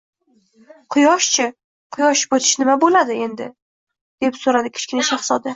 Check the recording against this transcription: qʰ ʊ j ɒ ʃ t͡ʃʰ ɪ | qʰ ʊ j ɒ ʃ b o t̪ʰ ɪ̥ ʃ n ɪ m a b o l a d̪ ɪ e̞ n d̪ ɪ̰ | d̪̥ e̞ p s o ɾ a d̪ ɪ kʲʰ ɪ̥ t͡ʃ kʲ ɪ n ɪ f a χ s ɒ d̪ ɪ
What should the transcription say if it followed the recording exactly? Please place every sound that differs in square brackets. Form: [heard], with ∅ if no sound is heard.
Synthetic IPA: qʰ ʊ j ɒ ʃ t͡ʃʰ ɪ | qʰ ʊ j ɒ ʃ b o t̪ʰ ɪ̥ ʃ n ɪ m a b o l a d̪ ɪ e̞ n d̪ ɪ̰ | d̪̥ e̞ p s o ɾ a d̪ ɪ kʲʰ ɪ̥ t͡ʃ kʲ ɪ n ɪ [ʃ] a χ s ɒ d̪ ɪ